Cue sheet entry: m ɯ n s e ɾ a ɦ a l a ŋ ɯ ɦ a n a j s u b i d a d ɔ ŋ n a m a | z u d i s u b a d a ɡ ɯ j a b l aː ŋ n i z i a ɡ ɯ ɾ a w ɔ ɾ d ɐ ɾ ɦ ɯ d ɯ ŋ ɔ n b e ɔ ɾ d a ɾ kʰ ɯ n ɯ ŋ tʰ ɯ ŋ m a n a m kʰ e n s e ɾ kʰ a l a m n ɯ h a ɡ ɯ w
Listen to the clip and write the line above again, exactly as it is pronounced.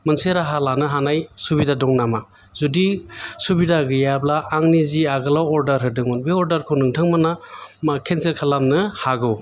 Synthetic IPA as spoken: m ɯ n s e ɾ a ɦ a l a n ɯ ɦ a n a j s u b i d a d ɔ ŋ n a m a | z u d i s u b i d a ɡ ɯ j a b l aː ŋ n i z i a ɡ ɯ l a w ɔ ɾ d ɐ ɾ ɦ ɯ d ɯ ŋ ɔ n b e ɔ ɾ d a ɾ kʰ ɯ n ɯ ŋ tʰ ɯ ŋ m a n a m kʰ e n s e ɾ kʰ a l a m n ɯ h a ɡ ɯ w